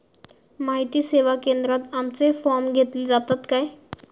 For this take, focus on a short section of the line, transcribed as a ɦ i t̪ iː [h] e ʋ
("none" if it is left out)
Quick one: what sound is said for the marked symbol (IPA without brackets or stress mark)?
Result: s